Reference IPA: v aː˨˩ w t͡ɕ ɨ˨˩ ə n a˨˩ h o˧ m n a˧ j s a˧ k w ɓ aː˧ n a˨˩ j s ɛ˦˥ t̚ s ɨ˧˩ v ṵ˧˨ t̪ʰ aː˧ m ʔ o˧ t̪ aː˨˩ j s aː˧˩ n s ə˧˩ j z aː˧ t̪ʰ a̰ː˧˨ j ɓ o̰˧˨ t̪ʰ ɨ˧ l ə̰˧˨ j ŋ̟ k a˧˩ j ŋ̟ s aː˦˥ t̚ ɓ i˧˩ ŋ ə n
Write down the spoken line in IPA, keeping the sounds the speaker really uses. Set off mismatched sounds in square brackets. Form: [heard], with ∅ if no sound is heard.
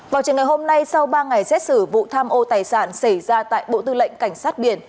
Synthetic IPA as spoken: v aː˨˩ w t͡ɕ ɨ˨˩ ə [ŋ] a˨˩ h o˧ m n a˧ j s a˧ [∅] w ɓ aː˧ [ŋ] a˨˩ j s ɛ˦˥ t̚ s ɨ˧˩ v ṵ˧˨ t̪ʰ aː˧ m ʔ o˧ t̪ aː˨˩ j s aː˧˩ n s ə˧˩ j z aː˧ [t̪] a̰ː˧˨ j ɓ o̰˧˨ [t̪] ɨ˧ l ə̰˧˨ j ŋ̟ k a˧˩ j ŋ̟ s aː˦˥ t̚ ɓ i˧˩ [∅] ə n